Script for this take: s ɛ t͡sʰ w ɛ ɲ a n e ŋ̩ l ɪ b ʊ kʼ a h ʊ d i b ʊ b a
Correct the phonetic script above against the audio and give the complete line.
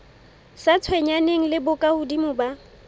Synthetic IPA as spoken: s a t͡sʰ w ɛ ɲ a n e ŋ̩ l ɪ b ʊ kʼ a h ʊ d i m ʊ b a